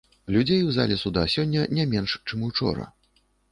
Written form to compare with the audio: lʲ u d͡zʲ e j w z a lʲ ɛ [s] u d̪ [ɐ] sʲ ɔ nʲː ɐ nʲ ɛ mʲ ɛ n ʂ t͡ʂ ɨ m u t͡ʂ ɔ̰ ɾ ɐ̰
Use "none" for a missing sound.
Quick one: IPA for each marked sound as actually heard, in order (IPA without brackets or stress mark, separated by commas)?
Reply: s, a